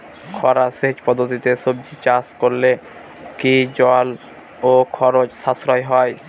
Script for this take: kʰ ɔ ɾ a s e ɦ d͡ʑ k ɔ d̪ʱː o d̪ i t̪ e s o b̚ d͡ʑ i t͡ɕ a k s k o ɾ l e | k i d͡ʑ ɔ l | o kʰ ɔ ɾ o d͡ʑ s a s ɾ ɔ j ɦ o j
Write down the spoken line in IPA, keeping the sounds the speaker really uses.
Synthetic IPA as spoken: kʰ ɔ ɾ a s e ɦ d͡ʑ p ɔ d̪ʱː o t̪ i t̪ e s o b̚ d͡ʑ i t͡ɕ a s k o ɾ l e | k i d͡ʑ ɔ l | o kʰ ɔ ɾ o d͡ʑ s a s ɾ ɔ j ɦ ɔ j